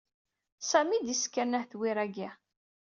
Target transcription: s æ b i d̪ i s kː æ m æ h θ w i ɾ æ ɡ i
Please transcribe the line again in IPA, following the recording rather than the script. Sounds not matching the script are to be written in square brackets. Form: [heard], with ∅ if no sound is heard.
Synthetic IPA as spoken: s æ [m] i d̪ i s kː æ [n] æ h θ w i ɾ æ ɡ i